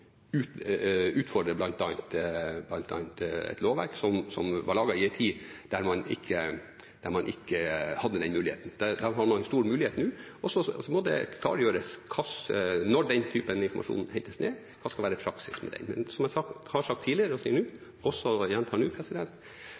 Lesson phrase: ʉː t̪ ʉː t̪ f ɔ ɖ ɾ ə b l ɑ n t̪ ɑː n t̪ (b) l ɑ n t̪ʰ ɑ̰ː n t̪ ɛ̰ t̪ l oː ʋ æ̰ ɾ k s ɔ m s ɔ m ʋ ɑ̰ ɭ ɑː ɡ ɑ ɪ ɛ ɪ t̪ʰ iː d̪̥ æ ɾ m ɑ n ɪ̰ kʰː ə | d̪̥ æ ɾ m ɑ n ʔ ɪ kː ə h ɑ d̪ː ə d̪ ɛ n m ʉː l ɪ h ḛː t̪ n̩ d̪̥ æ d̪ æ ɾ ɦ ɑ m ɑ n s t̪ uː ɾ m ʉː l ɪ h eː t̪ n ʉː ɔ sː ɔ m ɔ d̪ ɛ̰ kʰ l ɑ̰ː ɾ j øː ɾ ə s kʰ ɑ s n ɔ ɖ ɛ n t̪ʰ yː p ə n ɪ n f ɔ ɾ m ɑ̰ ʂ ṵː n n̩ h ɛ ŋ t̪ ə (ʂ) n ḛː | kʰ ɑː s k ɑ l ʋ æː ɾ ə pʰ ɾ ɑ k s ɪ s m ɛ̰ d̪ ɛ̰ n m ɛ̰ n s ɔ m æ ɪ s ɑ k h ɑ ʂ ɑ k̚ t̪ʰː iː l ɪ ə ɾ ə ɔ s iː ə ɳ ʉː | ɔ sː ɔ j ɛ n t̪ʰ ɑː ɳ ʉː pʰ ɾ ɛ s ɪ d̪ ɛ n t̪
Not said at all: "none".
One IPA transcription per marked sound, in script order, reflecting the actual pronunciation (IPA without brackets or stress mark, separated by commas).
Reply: b, s